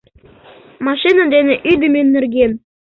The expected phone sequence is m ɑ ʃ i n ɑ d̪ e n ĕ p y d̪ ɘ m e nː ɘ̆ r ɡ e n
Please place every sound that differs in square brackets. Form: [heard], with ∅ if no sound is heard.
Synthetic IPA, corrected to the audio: m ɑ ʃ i n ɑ d̪ e n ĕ [ʔ] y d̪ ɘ m e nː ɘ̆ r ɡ e n